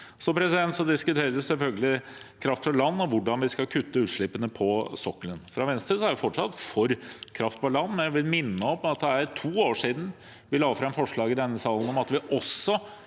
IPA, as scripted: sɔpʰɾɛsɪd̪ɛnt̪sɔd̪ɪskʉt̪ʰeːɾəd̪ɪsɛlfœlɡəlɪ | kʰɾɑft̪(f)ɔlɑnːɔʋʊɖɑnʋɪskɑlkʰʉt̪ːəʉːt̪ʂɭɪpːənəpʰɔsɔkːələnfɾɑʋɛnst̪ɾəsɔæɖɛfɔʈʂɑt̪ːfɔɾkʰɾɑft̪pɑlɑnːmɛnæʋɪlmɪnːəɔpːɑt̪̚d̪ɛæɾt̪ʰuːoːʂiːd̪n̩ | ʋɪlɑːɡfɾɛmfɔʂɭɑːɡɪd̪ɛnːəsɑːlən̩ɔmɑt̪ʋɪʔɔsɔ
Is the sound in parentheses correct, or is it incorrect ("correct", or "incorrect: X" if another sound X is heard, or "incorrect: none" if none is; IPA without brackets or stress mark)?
correct